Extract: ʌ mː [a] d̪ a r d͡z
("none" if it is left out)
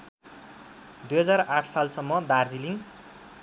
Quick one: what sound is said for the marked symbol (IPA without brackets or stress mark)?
ʌ